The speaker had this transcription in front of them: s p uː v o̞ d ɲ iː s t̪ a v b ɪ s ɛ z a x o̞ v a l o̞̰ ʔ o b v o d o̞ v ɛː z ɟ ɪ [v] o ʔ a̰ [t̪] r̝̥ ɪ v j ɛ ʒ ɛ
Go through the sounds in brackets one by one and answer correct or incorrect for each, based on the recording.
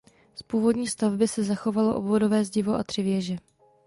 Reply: correct, correct

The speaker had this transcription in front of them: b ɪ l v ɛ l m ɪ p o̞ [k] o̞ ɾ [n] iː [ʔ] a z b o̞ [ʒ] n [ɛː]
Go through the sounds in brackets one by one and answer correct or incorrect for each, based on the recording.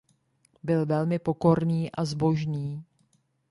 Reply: correct, correct, correct, correct, incorrect

